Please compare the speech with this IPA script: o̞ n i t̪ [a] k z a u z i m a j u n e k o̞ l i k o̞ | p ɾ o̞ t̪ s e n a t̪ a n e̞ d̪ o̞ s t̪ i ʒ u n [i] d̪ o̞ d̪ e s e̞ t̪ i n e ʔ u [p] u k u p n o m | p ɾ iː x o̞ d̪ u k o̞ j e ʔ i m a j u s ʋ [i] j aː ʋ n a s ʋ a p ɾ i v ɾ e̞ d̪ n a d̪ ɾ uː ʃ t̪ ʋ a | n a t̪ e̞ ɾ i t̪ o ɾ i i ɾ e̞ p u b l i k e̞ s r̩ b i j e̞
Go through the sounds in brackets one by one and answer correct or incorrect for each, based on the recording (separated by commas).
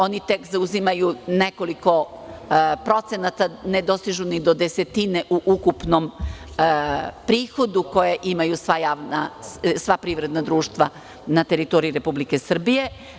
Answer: incorrect, correct, incorrect, incorrect